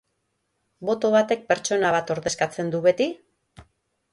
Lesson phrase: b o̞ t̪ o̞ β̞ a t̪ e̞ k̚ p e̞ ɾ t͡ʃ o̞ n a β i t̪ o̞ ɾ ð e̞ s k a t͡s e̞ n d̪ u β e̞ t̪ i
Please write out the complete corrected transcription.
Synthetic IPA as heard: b o̞ t̪ o̞ β̞ a t̪ e̞ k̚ p e̞ ɾ t͡ʃ o̞ n a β a t̪ o̞ ɾ ð e̞ s k a t͡s e̞ n d̪ u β e̞ t̪ i

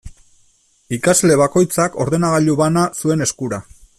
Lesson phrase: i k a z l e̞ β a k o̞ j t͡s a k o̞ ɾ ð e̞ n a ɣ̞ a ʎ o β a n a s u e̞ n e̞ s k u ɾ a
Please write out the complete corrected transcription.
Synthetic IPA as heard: i k a z l e̞ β a k o̞ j t͡s a k o̞ ɾ ð e̞ n a ɣ̞ a ʎ u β a n a s u e̞ n e̞ s k u ɾ a

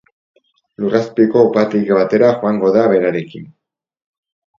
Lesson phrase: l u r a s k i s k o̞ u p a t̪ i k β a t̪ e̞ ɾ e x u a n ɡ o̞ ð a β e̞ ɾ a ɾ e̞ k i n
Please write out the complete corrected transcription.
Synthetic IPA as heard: l u r a s p i k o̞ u p a t̪ i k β a t̪ e̞ ɾ a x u a ŋ ɡ o̞ ð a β e̞ ɾ a ɾ e̞ k i n

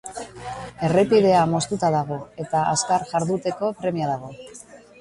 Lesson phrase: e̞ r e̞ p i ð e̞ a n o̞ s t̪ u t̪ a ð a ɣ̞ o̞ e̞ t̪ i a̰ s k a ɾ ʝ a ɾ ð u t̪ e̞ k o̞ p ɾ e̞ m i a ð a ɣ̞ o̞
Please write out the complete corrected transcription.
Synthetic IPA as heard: e̞ r e̞ p i ð e̞ a m o̞ s t̪ u t̪ a ð a ɣ̞ o̞ e̞ t̪ a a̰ s k a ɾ ʝ a ɾ ð u t̪ e̞ k o̞ p ɾ e̞ m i a ð a ɣ̞ o̞

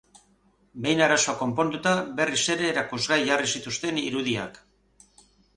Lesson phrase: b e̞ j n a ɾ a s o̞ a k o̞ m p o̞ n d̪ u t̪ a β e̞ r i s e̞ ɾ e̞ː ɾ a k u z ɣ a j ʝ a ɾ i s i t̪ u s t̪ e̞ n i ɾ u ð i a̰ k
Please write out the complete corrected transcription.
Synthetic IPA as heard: b e̞ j n a ɾ a s o̞ a k o̞ m p o̞ n d̪ u t̪ a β e̞ r i s e̞ ɾ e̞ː ɾ a k u z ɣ a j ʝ a r i s i t̪ u s t̪ e̞ n i ɾ u ð i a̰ k

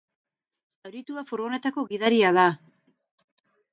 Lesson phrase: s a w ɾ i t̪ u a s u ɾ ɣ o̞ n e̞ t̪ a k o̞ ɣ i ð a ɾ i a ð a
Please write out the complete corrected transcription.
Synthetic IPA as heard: s a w ɾ i t̪ u a f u ɾ ɣ o̞ n e̞ t̪ a k o̞ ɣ i ð a ɾ i a ð a

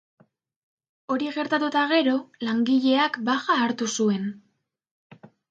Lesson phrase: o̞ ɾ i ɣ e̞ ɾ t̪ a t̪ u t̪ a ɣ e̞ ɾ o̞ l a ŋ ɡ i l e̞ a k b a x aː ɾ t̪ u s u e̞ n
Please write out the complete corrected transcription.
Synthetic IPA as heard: o̞ ɾ i ɣ e̞ ɾ t̪ a t̪ u t̪ a ɣ e̞ ɾ o̞ l a ŋ ɡ i ʎ e̞ a k b a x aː ɾ t̪ u s u e̞ n

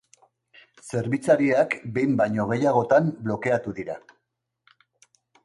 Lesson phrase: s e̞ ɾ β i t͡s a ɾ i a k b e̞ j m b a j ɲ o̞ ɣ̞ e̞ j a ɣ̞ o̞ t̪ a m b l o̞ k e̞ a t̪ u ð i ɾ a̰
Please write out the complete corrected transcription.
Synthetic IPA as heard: s e̞ ɾ β i t͡s a ɾ i a k b e̞ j m b a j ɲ o̞ ɣ̞ e̞ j a ɣ̞ o̞ t̪ a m b l o̞ k e̞ a t̪ u ð i ɾ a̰

